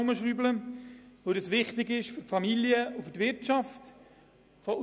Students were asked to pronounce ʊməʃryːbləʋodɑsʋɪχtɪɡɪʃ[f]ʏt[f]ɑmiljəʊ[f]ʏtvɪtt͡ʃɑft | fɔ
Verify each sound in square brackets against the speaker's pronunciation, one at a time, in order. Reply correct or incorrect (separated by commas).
correct, correct, correct